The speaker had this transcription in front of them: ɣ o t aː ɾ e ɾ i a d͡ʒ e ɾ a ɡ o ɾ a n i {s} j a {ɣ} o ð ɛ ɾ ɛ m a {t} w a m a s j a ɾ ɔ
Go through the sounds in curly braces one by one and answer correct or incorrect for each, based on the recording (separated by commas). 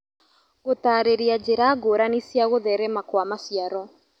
correct, correct, incorrect